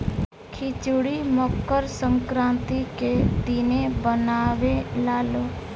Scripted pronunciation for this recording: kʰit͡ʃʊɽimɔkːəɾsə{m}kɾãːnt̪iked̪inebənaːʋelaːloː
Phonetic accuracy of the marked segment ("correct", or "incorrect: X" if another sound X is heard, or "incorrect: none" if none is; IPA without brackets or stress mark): incorrect: ŋ